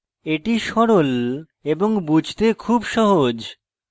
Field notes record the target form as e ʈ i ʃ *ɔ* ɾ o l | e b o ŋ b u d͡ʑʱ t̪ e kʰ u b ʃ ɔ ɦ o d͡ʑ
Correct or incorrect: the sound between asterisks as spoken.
correct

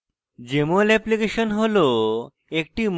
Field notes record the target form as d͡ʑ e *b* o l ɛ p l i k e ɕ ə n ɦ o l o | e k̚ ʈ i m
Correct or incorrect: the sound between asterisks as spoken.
incorrect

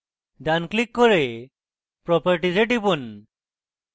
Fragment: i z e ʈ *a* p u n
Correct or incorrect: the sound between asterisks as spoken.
incorrect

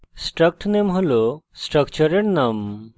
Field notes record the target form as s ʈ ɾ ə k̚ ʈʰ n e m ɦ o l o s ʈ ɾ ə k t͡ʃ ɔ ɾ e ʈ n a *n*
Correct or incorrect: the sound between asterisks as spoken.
incorrect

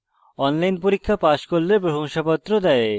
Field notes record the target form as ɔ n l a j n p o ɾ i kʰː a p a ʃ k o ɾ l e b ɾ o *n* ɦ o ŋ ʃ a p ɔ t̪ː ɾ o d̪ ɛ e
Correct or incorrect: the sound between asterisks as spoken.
incorrect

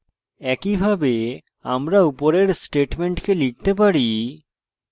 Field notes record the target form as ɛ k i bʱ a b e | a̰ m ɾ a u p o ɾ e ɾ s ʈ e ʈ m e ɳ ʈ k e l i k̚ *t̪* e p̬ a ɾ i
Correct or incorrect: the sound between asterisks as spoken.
correct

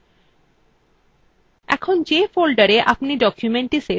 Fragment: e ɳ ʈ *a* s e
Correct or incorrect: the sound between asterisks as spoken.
incorrect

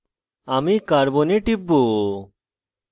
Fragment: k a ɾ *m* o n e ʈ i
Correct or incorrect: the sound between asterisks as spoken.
incorrect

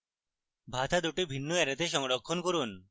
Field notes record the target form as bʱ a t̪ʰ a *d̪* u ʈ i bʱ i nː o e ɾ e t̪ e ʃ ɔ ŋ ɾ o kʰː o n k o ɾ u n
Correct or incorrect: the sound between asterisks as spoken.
correct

